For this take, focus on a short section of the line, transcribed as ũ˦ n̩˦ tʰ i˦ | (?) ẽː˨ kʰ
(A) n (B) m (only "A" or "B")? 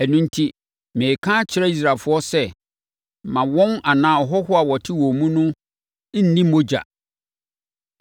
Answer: B